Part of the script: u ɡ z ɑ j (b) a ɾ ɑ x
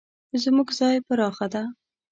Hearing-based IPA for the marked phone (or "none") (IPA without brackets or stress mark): p